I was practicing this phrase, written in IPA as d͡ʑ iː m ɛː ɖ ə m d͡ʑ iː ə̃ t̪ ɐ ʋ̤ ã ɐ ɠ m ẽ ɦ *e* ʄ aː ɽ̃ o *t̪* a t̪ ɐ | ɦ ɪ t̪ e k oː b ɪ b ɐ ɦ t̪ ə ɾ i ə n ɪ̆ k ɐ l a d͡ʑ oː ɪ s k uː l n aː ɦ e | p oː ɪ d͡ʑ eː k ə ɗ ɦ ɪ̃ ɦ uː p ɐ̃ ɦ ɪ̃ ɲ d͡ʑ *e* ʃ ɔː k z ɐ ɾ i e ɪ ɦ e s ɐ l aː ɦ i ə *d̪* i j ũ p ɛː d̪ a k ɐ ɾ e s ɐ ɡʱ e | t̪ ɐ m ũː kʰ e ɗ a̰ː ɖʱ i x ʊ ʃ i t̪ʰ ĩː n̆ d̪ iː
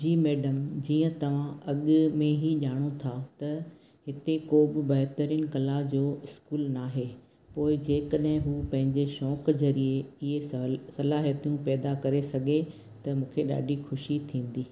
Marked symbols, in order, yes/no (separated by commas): no, no, yes, no